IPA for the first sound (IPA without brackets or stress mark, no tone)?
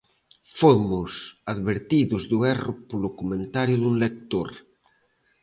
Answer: f